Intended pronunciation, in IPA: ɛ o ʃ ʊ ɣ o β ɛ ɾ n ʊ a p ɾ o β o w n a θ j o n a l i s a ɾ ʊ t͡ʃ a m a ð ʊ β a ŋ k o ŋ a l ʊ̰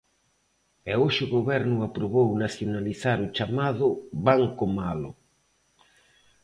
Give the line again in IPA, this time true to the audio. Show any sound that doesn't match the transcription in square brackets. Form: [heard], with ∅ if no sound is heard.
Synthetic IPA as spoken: ɛ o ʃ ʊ ɣ o β ɛ ɾ n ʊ a p ɾ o β o w n a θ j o n a l i [θ] a ɾ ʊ t͡ʃ a m a ð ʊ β a ŋ k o [m] a l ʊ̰